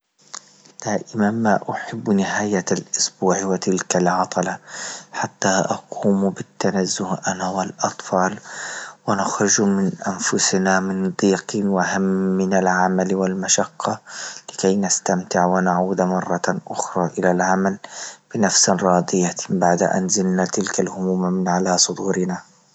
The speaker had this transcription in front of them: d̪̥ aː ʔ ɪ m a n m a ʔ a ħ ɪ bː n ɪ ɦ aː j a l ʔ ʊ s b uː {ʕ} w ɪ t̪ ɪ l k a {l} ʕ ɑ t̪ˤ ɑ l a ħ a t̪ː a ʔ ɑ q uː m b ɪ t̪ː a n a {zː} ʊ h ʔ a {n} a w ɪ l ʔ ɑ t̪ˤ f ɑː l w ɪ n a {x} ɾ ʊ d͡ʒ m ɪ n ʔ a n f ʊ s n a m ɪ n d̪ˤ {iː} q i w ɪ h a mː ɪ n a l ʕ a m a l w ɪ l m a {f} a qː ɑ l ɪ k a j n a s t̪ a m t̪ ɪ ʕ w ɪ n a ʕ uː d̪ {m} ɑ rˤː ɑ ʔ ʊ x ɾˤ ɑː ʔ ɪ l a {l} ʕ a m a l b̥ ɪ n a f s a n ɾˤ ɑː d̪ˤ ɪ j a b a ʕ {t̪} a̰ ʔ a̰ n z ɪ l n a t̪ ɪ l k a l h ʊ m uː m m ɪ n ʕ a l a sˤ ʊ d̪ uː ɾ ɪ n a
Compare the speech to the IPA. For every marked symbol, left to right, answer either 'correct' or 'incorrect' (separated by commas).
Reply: correct, correct, correct, correct, correct, correct, incorrect, correct, correct, incorrect